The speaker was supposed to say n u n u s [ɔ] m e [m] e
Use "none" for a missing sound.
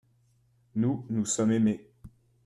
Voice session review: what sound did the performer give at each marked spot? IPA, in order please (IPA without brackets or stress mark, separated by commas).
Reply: ɔ, m